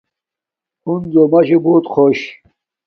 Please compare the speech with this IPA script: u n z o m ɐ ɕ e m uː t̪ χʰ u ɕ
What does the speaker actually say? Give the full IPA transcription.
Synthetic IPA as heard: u n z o m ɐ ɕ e b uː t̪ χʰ o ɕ